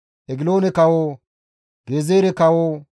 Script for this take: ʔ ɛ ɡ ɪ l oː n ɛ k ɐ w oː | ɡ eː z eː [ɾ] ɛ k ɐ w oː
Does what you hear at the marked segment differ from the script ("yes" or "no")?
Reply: no